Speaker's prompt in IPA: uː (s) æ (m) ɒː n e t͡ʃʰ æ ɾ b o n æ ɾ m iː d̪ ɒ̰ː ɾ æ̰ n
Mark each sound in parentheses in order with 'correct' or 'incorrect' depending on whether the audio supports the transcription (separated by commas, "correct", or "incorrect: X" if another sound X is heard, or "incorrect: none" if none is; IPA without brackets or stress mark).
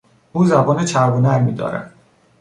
incorrect: z, incorrect: b